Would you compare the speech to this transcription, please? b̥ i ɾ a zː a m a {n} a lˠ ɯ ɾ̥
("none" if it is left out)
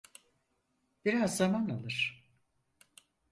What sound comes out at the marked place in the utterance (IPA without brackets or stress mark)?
n